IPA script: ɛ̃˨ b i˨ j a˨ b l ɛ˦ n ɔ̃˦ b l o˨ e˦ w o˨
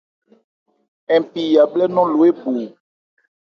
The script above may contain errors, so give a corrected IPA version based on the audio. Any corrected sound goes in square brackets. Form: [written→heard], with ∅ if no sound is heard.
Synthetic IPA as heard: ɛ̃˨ [b→p] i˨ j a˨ b l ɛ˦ n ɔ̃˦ [b→∅] l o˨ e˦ [w→b] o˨